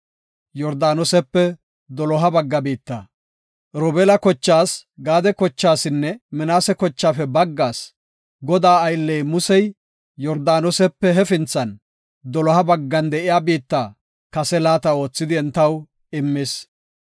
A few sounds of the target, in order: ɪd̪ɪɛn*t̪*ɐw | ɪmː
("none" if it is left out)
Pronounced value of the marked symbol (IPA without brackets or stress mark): t̪